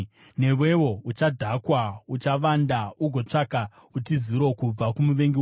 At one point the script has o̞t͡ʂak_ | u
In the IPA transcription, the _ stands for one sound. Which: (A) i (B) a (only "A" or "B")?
B